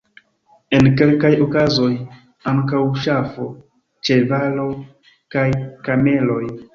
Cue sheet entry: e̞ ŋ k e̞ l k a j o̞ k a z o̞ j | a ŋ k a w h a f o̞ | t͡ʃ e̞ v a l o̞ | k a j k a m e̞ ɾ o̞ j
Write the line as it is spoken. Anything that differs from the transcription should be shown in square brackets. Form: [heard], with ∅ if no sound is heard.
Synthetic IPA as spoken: e̞ [n] k e̞ l k a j o̞ k a z o̞ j | a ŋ k a w [ʃ] a f o̞ | t͡ʃ e̞ v a l o̞ | k a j k a m e̞ [l] o̞ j